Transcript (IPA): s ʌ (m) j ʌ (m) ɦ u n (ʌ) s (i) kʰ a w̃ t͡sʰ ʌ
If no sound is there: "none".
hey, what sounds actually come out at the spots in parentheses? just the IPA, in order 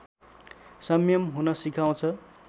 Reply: m, m, ʌ, i

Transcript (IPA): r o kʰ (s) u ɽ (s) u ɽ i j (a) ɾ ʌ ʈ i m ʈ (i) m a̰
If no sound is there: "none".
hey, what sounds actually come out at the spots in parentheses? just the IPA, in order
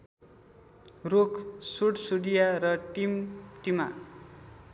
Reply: s, s, a, i

